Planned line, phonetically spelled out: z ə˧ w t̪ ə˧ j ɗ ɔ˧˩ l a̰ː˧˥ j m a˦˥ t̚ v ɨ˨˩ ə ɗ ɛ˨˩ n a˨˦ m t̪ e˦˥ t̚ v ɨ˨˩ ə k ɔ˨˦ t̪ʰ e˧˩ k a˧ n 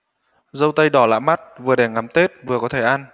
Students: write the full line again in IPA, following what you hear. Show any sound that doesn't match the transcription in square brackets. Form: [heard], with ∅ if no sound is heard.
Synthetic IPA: z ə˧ w t̪ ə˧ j ɗ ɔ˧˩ l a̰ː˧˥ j m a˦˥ t̚ v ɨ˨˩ ə ɗ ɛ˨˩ [ŋ] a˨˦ m t̪ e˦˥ t̚ v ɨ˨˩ ə k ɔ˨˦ t̪ʰ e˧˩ [ʔ] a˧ n